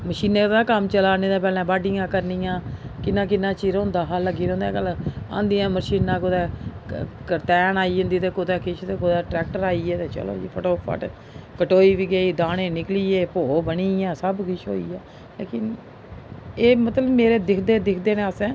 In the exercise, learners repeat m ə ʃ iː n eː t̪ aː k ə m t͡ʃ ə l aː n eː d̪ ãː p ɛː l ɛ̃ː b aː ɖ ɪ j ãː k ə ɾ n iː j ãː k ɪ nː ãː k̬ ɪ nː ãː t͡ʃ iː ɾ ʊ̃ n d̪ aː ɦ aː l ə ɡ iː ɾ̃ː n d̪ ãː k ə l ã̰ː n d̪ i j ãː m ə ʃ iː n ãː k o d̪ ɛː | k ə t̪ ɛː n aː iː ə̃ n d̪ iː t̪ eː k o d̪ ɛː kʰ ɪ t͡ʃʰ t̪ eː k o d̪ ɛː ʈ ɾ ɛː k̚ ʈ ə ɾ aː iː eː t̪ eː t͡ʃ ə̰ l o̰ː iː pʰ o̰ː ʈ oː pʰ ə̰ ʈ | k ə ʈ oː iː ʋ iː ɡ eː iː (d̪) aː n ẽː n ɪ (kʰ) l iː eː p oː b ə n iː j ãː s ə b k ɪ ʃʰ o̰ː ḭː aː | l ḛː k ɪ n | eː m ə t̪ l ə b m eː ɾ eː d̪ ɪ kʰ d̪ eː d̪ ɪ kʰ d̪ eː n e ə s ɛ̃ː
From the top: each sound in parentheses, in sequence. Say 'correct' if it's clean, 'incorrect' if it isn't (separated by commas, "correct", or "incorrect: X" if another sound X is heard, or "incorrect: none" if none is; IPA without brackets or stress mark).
correct, incorrect: k